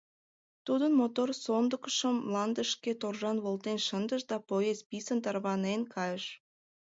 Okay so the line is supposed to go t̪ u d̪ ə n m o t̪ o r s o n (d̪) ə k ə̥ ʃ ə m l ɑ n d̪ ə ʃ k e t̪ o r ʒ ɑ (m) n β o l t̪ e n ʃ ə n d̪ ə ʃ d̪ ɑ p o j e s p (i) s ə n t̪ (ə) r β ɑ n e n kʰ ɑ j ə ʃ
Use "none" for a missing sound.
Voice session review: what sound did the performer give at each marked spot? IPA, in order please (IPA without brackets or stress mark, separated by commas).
d̪, none, i, ɑ